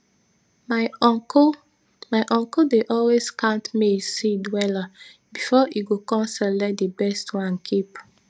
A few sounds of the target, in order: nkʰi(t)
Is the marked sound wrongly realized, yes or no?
yes